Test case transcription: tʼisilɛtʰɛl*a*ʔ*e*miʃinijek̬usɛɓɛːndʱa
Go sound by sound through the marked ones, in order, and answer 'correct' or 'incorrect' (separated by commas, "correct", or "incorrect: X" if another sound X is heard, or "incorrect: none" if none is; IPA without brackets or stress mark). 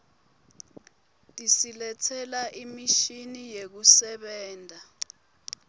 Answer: correct, incorrect: i